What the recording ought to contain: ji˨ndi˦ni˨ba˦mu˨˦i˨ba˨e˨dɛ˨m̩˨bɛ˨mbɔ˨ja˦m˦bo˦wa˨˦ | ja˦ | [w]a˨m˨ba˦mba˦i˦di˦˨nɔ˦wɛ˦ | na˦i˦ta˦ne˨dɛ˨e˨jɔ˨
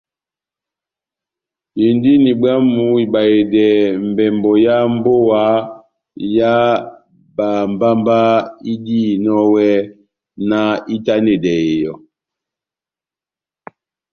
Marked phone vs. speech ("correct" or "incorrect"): incorrect